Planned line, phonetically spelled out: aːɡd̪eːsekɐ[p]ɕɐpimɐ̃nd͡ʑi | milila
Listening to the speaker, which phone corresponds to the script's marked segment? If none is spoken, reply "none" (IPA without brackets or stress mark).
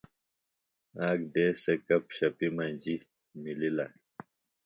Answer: p